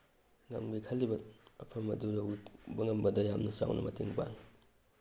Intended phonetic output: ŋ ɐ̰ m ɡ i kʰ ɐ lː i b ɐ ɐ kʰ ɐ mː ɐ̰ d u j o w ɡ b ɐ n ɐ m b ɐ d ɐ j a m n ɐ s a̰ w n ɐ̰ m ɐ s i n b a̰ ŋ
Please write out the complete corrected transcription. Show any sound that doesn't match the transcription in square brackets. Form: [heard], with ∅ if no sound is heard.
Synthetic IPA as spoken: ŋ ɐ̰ m ɡ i kʰ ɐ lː i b ɐ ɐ [pʰ] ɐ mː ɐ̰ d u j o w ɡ b ɐ [ŋ] ɐ m b ɐ d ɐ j a m n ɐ s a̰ w n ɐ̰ m ɐ [t] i [ŋ] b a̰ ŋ